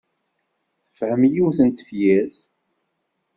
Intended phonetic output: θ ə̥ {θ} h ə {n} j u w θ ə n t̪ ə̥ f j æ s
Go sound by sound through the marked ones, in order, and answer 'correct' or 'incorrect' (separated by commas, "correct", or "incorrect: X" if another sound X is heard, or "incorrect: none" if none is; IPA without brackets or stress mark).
incorrect: f, incorrect: m